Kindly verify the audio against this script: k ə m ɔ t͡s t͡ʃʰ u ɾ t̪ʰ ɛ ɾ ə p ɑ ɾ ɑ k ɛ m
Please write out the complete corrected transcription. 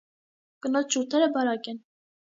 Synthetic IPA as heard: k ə n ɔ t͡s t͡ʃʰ u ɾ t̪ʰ ɛ ɾ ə b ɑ ɾ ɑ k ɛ n